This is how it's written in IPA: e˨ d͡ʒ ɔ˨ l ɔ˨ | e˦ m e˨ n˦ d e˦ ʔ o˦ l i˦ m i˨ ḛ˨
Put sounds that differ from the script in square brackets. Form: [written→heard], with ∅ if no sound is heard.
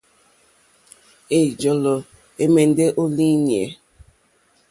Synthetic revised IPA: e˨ d͡ʒ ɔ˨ l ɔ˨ | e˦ m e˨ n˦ d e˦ ʔ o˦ l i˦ [m→n] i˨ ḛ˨